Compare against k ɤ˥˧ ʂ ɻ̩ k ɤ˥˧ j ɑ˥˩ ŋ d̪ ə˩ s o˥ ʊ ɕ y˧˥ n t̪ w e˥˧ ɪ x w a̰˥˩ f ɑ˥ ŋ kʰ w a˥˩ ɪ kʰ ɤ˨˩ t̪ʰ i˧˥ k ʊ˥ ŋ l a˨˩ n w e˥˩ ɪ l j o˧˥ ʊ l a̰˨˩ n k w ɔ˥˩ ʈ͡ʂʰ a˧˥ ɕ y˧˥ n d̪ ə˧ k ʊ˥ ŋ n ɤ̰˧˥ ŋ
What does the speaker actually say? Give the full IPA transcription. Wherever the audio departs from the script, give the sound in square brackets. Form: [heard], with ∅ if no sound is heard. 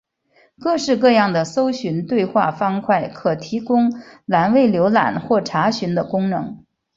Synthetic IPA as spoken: k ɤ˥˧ ʂ ɻ̩ k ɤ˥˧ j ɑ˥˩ ŋ d̪ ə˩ s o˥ ʊ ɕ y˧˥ n t̪ w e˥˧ ɪ x w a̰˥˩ f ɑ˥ ŋ kʰ w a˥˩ ɪ kʰ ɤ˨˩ t̪ʰ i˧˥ k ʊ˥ ŋ l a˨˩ n w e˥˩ ɪ l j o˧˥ ʊ l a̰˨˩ n [x] w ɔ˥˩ ʈ͡ʂʰ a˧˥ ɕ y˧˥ n d̪ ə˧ k ʊ˥ ŋ n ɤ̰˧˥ ŋ